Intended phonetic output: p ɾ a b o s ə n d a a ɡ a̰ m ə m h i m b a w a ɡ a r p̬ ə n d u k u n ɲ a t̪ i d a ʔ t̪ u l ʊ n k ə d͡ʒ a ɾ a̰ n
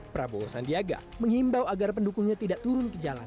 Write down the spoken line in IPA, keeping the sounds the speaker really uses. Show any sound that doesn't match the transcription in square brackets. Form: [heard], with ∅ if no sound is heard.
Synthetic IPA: p ɾ a b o s [a] n d [i] a ɡ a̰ m ə [ŋ] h i m b a w a ɡ a r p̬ ə n d u k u [ŋ] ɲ a t̪ i d a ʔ t̪ u [ɾ] ʊ n k ə d͡ʒ a [l] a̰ n